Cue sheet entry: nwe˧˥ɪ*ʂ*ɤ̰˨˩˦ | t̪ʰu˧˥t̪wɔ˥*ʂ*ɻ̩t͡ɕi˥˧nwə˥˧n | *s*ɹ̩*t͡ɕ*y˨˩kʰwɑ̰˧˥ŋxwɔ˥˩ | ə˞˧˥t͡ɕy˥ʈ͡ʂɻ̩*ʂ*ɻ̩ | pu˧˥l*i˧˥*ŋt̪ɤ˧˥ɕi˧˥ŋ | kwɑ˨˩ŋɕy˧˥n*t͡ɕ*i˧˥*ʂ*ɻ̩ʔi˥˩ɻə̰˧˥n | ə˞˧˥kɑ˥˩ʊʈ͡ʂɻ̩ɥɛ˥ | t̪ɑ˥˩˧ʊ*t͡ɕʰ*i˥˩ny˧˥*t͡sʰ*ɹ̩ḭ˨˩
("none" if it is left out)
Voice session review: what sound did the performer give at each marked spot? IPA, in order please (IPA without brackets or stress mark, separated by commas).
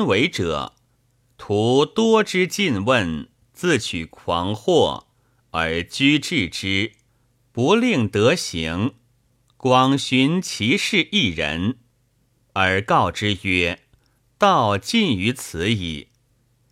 ʈ͡ʂ, ʈ͡ʂ, t͡s, t͡ɕʰ, ʈ͡ʂ, i˥˩, t͡ɕʰ, ʂ, t͡ɕ, t͡sʰ